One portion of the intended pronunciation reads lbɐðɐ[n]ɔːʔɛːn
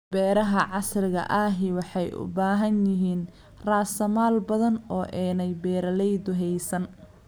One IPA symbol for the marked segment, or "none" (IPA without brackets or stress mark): n